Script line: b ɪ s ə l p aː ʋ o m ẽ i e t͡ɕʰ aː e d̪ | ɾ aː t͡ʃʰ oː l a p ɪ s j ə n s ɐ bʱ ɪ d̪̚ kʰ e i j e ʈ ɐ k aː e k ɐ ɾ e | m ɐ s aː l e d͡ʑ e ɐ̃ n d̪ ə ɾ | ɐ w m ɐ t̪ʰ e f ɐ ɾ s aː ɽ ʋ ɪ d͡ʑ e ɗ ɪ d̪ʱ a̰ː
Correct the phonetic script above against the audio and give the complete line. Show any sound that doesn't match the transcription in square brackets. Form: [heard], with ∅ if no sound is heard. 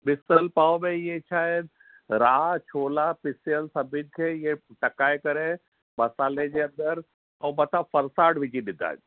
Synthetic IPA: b ɪ s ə l p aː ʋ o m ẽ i e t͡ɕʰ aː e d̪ | ɾ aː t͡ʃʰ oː l a p ɪ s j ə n s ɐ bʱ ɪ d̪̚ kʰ e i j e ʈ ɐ k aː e k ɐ ɾ e | m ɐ s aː l e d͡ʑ e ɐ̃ n d̪ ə ɾ | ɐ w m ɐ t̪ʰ [a] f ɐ ɾ s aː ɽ ʋ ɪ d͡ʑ [i] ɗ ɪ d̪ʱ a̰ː

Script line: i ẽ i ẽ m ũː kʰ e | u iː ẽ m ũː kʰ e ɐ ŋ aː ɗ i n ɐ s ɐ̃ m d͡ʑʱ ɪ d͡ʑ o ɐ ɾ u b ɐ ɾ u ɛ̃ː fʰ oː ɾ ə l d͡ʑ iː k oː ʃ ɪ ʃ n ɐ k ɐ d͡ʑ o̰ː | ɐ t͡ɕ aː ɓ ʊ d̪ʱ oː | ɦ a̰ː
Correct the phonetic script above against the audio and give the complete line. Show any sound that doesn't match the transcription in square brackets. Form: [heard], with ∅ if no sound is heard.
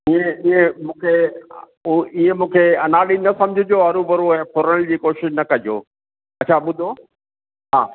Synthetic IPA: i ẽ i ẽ m ũː kʰ e | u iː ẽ m ũː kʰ e ɐ [n] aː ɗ i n ɐ s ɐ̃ m d͡ʑʱ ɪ d͡ʑ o ɐ ɾ u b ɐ ɾ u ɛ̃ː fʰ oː ɾ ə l d͡ʑ iː k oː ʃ ɪ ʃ n ɐ k ɐ d͡ʑ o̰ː | ɐ [t͡ɕʰ] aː ɓ ʊ d̪ʱ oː | ɦ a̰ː

